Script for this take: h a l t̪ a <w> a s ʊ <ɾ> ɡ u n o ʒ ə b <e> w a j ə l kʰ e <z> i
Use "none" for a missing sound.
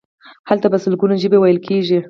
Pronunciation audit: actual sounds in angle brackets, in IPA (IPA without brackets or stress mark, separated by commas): b, l, e, ʒ